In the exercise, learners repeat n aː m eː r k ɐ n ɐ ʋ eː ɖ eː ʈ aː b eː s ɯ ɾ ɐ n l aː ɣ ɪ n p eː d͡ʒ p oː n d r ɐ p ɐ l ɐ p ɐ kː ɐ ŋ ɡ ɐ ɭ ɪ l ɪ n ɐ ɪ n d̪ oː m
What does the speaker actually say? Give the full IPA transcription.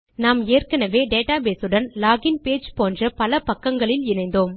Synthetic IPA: n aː m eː r k ɐ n ɐ ʋ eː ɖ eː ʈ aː b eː s ɯ ɽ ɐ n l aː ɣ ɪ n p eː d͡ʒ p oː n d r ɐ p ɐ l ɐ p ɐ kː ɐ ŋ ɡ ɐ ɭ ɪ l ɪ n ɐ ɪ n d̪ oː m